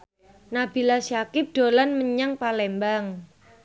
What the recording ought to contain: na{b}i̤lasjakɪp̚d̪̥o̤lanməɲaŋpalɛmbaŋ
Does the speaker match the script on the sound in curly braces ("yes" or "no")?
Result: yes